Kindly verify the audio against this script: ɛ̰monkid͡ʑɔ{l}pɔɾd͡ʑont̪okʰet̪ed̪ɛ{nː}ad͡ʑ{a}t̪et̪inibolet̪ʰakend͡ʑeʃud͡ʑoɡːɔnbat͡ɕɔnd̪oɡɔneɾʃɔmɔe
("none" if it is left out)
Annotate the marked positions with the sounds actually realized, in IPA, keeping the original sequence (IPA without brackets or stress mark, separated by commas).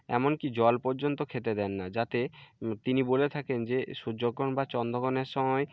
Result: l, nː, a